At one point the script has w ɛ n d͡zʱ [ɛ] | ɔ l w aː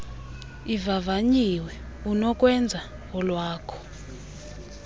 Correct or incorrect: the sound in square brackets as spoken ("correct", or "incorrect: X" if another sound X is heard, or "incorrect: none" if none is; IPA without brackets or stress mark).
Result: incorrect: a